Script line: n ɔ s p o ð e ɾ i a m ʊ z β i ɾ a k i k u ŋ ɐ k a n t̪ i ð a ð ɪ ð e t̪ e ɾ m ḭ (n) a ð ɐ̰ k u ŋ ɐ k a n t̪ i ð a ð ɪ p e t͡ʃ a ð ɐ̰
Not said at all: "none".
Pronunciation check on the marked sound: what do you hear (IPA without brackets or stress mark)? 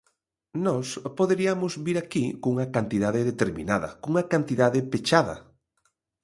n